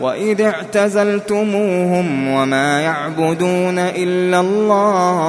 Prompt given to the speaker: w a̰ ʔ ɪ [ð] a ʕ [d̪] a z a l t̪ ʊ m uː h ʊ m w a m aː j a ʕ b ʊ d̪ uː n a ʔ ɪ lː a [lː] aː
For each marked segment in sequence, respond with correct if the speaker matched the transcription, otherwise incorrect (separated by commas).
correct, incorrect, correct